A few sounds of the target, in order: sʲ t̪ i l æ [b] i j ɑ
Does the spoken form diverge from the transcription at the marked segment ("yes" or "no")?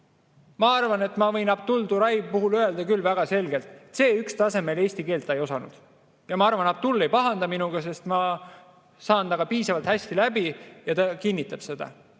no